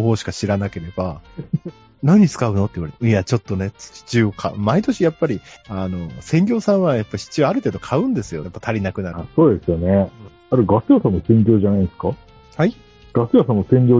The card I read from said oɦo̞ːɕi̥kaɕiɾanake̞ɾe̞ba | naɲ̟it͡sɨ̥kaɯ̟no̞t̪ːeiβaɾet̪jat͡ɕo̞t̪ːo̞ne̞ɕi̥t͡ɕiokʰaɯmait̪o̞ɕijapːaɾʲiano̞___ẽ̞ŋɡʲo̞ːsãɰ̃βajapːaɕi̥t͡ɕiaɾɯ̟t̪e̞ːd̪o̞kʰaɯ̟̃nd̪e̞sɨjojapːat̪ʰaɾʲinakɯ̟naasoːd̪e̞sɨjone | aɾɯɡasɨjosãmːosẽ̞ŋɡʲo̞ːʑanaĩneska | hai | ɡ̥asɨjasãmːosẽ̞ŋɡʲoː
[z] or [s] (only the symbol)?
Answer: s